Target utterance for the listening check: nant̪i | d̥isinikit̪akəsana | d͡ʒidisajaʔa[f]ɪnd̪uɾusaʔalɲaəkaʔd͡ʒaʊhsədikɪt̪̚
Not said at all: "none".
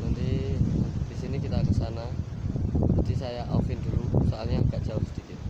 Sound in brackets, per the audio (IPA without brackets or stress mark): f